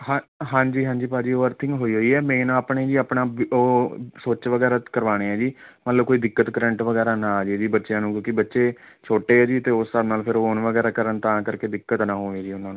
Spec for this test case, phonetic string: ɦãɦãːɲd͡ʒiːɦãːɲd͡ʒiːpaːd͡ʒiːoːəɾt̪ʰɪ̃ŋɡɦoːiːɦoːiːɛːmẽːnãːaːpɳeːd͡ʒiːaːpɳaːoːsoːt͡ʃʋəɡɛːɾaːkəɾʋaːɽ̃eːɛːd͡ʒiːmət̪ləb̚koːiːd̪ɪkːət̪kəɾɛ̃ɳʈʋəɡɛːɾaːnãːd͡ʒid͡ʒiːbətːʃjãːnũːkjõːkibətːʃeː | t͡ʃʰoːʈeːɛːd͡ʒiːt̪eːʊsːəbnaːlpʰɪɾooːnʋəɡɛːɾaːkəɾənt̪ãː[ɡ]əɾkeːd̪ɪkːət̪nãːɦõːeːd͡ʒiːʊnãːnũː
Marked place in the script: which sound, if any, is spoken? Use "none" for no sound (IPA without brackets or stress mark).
k